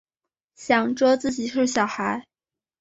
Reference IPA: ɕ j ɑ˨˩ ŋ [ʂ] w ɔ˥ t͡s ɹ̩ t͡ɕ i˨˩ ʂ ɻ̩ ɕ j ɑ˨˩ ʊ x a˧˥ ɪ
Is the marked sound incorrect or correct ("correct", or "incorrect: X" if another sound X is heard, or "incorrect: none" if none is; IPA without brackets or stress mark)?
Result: incorrect: ʈ͡ʂ